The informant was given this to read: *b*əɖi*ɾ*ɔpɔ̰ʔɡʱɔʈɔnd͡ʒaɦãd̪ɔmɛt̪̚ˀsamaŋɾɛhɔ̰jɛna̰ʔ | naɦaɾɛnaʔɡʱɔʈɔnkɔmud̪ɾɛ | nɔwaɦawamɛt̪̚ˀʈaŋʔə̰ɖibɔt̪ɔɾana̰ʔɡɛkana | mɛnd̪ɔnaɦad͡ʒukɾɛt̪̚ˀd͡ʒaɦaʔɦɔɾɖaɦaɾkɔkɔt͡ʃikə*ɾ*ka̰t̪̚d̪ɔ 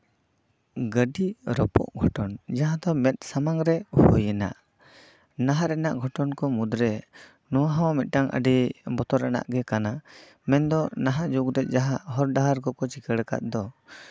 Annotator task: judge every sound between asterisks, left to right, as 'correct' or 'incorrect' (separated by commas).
incorrect, correct, incorrect